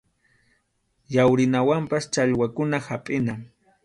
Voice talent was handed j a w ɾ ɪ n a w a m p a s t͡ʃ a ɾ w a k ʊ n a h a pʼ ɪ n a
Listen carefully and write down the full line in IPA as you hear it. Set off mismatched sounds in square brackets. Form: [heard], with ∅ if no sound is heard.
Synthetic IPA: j a w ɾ ɪ n a w a m p a s t͡ʃ a [ʎ] w a k ʊ n a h a pʼ ɪ n a